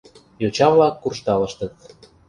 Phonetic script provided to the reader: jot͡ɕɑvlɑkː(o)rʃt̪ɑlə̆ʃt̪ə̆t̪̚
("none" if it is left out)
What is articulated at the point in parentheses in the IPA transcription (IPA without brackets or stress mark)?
u